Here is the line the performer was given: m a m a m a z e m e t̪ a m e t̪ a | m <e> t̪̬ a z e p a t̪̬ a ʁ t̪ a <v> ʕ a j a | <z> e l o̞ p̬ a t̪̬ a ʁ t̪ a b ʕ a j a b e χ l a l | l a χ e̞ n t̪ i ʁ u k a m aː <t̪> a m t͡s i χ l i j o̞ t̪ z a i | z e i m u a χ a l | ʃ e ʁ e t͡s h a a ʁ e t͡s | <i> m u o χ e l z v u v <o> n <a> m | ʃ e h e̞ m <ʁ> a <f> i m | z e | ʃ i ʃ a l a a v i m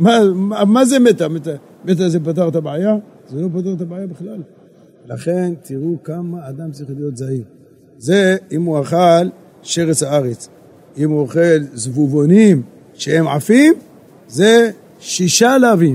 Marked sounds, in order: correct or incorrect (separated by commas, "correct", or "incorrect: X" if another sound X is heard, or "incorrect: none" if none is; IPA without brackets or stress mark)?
correct, incorrect: b, correct, incorrect: d̪, correct, correct, incorrect: i, incorrect: ʕ, correct